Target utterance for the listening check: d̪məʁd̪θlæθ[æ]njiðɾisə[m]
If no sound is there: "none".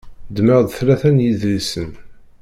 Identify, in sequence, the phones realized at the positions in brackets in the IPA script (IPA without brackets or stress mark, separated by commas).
æ, n